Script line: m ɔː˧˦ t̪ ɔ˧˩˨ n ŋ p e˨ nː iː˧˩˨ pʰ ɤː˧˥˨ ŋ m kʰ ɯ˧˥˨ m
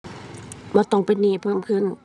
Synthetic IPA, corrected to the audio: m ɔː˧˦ t̪ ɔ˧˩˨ ŋ p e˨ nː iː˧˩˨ pʰ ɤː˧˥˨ m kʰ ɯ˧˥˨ n